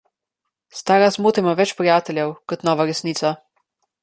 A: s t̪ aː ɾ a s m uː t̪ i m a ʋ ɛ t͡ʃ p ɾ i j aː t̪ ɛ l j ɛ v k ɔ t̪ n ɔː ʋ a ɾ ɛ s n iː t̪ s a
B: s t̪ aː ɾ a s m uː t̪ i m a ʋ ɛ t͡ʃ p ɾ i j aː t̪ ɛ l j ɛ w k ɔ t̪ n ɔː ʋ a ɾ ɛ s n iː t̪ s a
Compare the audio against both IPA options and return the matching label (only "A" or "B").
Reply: B